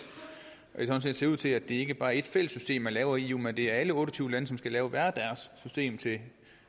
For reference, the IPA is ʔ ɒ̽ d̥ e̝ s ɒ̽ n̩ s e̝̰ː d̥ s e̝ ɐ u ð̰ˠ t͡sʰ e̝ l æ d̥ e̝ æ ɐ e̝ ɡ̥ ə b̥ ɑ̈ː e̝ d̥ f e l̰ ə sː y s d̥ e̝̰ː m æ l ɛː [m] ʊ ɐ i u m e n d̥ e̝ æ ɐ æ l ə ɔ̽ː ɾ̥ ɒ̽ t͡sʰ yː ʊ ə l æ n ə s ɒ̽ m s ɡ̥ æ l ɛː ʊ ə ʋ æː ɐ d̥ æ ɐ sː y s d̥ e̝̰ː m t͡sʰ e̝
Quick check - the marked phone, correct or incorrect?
incorrect